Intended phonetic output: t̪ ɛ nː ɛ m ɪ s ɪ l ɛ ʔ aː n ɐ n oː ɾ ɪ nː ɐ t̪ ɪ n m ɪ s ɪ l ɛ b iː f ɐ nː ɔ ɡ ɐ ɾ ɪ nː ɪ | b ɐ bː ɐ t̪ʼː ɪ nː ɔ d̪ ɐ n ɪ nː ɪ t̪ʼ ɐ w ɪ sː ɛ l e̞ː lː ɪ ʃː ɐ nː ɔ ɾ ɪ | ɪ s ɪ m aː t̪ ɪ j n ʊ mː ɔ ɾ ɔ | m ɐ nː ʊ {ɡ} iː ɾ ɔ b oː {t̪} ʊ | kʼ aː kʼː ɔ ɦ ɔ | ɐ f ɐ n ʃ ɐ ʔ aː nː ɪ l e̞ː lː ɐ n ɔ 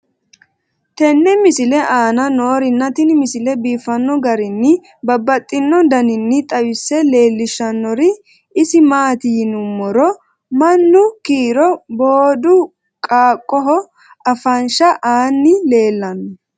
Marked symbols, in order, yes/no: no, no

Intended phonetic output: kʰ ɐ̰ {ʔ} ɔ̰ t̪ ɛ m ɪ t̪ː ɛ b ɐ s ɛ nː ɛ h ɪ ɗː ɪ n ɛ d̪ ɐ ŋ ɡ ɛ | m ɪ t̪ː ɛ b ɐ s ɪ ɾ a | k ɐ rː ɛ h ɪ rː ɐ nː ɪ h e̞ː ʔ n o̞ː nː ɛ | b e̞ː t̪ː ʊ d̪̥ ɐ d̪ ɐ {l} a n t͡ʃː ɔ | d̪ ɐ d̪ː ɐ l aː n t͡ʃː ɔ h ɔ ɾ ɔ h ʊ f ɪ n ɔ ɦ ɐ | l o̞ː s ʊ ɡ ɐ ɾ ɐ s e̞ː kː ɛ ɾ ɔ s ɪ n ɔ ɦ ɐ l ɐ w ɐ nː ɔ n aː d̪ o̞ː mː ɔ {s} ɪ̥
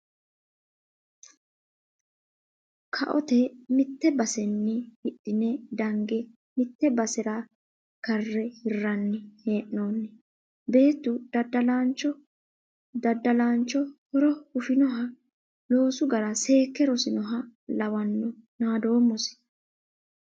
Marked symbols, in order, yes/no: yes, yes, yes

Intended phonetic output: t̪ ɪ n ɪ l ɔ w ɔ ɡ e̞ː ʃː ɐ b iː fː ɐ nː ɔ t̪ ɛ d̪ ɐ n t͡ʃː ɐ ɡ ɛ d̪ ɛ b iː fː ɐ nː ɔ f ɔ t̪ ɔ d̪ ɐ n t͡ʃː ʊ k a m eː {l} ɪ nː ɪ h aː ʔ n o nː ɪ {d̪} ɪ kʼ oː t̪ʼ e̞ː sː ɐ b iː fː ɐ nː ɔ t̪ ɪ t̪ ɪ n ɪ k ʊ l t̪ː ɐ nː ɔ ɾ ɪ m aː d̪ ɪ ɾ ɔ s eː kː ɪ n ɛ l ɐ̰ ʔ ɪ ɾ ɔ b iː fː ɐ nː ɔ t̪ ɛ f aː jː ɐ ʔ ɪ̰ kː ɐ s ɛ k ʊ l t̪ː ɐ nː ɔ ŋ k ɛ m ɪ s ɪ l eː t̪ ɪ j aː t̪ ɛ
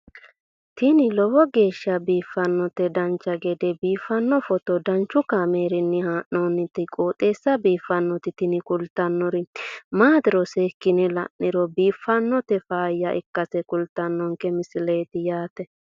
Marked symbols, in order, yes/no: no, no

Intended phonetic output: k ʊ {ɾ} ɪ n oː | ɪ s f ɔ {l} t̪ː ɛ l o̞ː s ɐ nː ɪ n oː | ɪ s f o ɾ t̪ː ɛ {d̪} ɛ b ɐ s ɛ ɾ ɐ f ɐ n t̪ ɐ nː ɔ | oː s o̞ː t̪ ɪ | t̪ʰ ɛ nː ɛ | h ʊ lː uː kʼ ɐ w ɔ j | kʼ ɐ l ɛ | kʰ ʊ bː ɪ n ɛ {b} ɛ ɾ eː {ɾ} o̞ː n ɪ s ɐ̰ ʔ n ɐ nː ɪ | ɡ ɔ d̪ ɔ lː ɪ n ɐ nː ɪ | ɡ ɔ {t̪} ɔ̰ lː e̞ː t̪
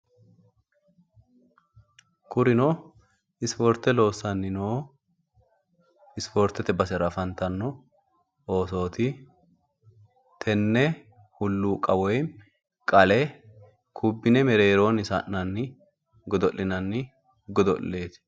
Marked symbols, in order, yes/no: yes, no, no, no, yes, no

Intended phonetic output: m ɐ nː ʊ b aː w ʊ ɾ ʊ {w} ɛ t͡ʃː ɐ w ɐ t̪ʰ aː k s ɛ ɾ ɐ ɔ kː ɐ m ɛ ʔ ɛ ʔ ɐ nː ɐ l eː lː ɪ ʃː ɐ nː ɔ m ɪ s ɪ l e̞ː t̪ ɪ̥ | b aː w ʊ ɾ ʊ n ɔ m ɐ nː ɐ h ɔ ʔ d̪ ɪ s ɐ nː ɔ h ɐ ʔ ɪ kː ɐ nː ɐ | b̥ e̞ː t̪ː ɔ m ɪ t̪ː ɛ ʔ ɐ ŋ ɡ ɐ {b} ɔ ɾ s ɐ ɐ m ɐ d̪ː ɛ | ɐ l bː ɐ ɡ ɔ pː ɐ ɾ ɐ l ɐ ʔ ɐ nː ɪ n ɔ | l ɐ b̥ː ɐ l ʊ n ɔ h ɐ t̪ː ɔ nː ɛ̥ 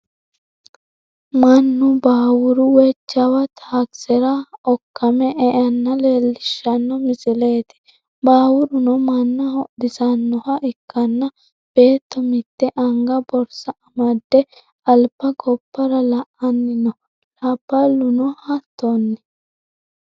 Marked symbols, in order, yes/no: yes, yes

